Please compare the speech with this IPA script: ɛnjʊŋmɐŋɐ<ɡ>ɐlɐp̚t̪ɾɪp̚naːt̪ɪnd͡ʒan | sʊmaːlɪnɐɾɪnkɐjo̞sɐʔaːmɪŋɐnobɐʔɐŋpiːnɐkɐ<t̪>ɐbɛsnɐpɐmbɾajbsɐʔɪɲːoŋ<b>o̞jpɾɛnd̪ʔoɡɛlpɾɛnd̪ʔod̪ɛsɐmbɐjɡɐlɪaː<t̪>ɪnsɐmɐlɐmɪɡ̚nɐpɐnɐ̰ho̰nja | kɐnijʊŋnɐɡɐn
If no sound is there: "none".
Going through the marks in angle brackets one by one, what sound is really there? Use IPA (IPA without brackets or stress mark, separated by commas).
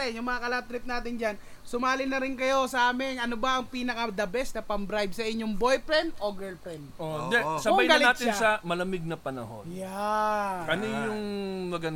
k, d̪, b, t̪